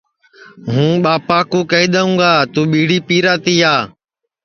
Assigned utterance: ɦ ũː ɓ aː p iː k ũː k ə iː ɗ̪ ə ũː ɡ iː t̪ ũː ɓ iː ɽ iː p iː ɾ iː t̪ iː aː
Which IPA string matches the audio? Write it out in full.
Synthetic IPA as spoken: ɦ ũː ɓ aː p aː k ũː k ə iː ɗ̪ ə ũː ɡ aː t̪ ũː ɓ iː ɽ iː p iː ɾ aː t̪ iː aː